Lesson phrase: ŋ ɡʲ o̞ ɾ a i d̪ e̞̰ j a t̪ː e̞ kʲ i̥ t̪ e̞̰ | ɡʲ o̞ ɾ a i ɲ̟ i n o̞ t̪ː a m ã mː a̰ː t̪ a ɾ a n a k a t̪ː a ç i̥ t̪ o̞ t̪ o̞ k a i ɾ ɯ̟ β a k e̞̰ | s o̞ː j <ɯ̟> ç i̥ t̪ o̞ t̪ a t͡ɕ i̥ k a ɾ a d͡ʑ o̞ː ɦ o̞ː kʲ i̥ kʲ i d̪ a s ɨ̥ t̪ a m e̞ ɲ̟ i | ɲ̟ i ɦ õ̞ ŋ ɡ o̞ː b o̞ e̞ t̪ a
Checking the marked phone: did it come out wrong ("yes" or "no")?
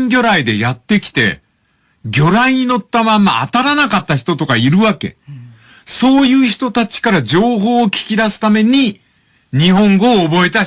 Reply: yes